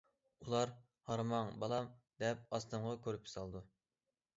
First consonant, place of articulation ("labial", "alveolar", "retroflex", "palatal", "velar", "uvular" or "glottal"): alveolar